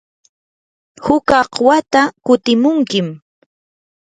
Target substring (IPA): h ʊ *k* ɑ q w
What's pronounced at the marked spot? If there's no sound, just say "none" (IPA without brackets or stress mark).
k